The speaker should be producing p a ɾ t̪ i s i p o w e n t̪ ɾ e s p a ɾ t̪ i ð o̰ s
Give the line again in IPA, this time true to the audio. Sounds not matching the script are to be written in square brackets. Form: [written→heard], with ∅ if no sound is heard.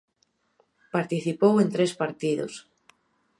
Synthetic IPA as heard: p a ɾ t̪ i [s→θ] i p o w e n t̪ ɾ e s p a ɾ t̪ i ð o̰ s